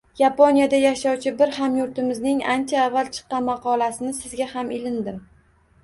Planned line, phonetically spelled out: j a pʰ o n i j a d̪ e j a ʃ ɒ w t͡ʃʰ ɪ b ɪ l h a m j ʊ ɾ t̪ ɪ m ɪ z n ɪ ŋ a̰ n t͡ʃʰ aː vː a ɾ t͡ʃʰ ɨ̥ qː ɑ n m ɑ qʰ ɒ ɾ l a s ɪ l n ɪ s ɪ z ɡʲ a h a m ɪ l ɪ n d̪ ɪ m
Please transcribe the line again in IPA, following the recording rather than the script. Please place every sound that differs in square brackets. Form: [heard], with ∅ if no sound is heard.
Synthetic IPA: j a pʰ o n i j a d̪ [a] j a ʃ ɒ w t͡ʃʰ ɪ b ɪ [ɾ] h a m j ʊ ɾ t̪ ɪ m ɪ z n ɪ ŋ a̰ n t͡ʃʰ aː vː a [l] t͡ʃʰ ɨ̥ qː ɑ n m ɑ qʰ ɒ [∅] l a s ɪ [∅] n ɪ s ɪ z ɡʲ a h a m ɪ l ɪ n d̪ ɪ m